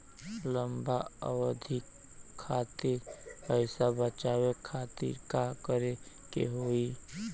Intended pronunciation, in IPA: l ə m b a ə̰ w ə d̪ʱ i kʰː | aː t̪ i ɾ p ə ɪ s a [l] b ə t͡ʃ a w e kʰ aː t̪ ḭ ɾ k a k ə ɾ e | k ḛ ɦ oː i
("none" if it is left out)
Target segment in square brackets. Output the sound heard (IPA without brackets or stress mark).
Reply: none